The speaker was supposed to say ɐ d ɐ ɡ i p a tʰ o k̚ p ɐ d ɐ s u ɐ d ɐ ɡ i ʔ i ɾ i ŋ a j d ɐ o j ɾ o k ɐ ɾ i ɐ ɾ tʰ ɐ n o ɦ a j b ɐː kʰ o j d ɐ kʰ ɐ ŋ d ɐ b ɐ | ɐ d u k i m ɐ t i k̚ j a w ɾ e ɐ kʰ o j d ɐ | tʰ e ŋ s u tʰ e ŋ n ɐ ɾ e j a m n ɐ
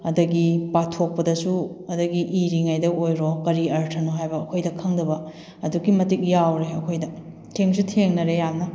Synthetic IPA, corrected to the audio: ɐ d ɐ ɡ i p a tʰ o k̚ p ɐ d ɐ s u ɐ d ɐ ɡ i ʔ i ɾ i ŋ a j d ɐ o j ɾ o k ɐ ɾ i ɐ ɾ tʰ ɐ n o ɦ a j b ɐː kʰ o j d ɐ kʰ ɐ ŋ d ɐ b ɐ | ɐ d u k i m ɐ t i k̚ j a w ɾ e ɐ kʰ o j d ɐ | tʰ e ŋ s u tʰ e ŋ n ɐ ɾ e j a m n ɐ